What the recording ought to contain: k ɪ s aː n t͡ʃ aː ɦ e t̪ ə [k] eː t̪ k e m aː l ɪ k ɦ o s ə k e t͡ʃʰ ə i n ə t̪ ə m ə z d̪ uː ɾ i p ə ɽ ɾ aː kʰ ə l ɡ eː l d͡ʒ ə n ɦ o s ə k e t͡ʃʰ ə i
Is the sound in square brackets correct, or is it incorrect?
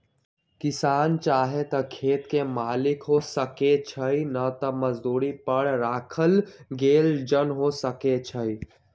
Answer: incorrect: kʰ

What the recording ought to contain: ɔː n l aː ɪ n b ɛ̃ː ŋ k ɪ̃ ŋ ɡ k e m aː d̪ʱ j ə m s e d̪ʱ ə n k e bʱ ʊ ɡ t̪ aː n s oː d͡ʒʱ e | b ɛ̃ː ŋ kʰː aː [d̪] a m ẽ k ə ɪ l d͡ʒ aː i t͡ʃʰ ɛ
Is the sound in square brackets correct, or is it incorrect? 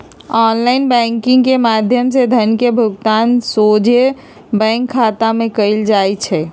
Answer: incorrect: t̪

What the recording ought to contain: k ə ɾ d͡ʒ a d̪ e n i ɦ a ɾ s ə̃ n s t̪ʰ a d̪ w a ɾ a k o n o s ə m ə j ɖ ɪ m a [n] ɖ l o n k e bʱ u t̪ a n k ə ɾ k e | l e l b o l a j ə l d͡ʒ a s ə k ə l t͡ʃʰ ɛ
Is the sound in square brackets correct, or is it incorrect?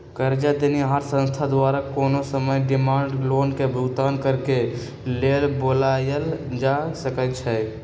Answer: incorrect: ɳ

